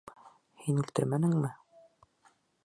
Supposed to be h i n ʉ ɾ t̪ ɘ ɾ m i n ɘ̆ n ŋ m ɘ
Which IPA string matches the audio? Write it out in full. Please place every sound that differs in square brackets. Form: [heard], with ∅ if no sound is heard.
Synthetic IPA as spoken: h i n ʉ [l] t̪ ɘ ɾ m [æ] n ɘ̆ [∅] ŋ m ɘ